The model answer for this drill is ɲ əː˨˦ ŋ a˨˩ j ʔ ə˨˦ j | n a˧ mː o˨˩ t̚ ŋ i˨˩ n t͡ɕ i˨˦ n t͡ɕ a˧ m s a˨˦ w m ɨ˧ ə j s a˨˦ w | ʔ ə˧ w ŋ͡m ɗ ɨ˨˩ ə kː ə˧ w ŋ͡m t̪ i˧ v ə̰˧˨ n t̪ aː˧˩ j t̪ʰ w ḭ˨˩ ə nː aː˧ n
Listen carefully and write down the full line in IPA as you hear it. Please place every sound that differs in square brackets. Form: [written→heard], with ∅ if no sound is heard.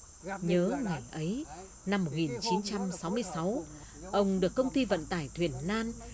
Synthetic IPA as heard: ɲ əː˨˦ ŋ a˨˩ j ʔ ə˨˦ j | n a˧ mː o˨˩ t̚ ŋ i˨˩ n t͡ɕ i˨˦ n t͡ɕ a˧ m s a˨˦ w m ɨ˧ ə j s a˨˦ w | ʔ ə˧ w ŋ͡m ɗ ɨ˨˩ ə kː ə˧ w ŋ͡m t̪ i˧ v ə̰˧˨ n t̪ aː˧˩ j t̪ʰ w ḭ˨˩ ə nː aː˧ n

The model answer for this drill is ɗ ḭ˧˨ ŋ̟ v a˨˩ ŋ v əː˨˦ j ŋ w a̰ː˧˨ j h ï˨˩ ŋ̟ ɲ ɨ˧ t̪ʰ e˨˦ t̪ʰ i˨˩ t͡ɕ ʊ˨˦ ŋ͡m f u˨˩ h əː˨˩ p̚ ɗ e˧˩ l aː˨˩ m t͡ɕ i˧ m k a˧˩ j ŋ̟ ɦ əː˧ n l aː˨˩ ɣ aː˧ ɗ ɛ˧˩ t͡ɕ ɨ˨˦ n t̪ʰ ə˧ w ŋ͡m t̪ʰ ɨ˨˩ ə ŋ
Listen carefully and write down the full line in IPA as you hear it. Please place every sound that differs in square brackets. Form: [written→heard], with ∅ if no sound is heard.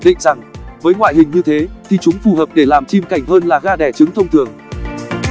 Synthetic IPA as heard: ɗ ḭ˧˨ ŋ̟ [v→z] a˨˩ ŋ v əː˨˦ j ŋ w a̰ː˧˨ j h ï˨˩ ŋ̟ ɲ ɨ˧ t̪ʰ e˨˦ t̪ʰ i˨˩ t͡ɕ ʊ˨˦ ŋ͡m f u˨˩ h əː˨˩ p̚ ɗ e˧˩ l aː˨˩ m t͡ɕ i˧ m k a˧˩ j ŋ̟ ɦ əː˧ n l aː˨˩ ɣ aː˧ ɗ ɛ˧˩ t͡ɕ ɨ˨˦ [n→ŋ] t̪ʰ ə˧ w ŋ͡m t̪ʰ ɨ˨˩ ə ŋ

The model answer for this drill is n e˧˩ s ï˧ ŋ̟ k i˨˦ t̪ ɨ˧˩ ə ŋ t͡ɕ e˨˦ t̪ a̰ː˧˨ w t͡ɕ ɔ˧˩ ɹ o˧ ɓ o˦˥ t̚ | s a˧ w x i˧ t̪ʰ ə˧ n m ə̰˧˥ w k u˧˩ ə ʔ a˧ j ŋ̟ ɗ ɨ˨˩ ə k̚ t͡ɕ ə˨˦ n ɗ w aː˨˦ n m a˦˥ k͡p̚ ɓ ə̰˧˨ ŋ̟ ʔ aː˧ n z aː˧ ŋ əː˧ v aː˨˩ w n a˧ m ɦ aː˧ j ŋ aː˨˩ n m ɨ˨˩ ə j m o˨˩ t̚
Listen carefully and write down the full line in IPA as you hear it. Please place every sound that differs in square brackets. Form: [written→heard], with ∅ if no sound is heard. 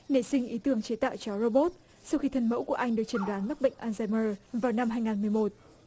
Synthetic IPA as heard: n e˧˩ s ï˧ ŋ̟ [k→ʔ] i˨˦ t̪ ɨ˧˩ ə ŋ t͡ɕ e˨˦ t̪ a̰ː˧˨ w t͡ɕ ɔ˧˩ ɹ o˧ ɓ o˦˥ t̚ | s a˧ w x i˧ t̪ʰ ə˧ n m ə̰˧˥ w k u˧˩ ə ʔ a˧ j ŋ̟ ɗ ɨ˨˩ ə k̚ t͡ɕ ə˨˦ n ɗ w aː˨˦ n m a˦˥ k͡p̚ ɓ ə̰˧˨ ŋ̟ ʔ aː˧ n z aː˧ [ŋ→m] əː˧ v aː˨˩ w n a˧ m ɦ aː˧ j ŋ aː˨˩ n m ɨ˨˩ ə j m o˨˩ t̚

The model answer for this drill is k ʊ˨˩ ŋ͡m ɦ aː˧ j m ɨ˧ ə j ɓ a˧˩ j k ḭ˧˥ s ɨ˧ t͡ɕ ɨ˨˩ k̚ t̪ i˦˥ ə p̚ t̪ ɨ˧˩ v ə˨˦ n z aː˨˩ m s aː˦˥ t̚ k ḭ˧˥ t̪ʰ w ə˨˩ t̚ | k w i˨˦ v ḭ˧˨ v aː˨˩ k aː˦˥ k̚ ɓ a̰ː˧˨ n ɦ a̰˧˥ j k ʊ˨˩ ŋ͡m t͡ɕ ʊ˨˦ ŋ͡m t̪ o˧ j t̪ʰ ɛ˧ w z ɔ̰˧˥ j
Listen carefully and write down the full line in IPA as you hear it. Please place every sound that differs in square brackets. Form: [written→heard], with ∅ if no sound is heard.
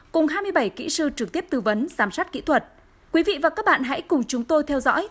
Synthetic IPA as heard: k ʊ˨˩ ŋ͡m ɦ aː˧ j m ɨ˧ ə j ɓ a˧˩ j k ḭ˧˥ s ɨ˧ t͡ɕ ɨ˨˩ k̚ t̪ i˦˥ ə p̚ t̪ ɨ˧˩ v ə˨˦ n z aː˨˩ m s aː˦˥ t̚ k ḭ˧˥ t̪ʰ w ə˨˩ t̚ | k w i˨˦ v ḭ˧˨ v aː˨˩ k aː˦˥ k̚ ɓ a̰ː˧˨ n ɦ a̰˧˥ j k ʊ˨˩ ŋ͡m t͡ɕ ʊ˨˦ ŋ͡m t̪ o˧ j t̪ʰ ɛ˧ w z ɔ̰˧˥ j

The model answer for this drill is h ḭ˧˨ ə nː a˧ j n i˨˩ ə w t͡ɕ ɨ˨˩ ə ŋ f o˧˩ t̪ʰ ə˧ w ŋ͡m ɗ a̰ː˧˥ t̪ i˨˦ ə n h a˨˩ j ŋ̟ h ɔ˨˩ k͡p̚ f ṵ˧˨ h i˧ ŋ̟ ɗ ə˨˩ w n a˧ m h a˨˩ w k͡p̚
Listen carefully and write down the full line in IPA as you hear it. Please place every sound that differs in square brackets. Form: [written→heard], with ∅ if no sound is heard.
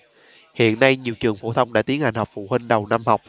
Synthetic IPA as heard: h ḭ˧˨ ə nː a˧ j [n→ɲ] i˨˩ ə w t͡ɕ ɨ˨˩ ə ŋ f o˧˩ t̪ʰ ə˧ w ŋ͡m ɗ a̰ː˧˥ t̪ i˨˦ ə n h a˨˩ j ŋ̟ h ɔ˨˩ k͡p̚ f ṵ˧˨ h i˧ ŋ̟ ɗ ə˨˩ w n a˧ m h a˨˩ w k͡p̚

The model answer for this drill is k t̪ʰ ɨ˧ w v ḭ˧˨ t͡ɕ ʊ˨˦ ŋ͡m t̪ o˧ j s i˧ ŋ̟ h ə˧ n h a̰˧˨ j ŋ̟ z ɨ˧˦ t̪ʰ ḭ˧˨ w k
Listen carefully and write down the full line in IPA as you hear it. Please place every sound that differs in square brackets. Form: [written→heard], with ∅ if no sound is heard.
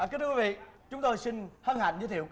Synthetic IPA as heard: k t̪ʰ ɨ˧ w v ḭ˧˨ t͡ɕ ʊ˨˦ ŋ͡m t̪ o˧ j s i˧ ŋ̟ h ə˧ n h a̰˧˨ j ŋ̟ z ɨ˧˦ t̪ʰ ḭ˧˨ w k

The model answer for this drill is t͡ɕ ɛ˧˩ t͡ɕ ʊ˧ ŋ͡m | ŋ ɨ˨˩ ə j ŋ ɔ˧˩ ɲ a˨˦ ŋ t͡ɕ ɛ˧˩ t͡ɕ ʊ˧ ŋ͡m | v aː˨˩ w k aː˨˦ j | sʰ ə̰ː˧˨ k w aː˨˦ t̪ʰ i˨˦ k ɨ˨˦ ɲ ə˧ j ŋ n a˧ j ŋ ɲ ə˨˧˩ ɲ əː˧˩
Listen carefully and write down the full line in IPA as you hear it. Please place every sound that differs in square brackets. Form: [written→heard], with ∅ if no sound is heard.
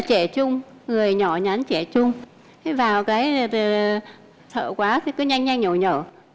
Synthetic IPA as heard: t͡ɕ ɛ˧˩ t͡ɕ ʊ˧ ŋ͡m | ŋ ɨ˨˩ ə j [ŋ→ɲ] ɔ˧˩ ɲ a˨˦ [ŋ→n] t͡ɕ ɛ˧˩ t͡ɕ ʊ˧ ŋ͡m | v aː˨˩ w k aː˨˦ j | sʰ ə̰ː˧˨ k w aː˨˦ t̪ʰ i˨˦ k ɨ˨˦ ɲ [ə˧→a˧] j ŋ [n→ɲ] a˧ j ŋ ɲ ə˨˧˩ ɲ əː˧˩

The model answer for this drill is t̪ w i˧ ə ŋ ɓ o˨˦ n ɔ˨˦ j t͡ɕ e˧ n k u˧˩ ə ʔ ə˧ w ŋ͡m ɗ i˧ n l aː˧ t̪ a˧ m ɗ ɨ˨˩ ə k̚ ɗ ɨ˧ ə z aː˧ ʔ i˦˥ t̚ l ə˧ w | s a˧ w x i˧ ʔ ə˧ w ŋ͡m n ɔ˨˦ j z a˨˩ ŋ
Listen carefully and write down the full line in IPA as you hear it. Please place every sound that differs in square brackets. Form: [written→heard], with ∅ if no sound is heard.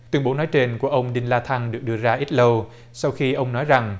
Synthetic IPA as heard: t̪ w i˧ ə ŋ ɓ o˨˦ n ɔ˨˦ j t͡ɕ e˧ n k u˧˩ ə ʔ ə˧ w ŋ͡m ɗ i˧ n l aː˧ [t̪→t̪ʰ] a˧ [m→ŋ] ɗ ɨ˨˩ ə k̚ ɗ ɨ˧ ə z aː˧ ʔ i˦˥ t̚ l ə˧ w | s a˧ w x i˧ ʔ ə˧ w ŋ͡m n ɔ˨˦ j z a˨˩ ŋ

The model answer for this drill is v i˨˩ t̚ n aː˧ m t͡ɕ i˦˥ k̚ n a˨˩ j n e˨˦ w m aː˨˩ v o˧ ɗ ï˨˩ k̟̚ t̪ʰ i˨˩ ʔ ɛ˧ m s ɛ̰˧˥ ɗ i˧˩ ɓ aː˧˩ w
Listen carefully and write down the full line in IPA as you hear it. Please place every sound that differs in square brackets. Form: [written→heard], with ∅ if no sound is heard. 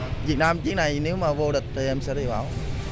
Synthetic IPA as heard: v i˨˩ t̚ n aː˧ m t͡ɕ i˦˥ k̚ n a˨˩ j n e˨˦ w m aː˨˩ v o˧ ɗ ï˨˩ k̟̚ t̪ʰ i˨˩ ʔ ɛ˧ m s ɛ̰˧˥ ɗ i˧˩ ɓ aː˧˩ w

